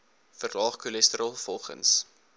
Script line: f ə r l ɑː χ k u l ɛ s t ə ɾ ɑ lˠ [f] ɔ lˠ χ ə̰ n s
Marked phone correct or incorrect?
correct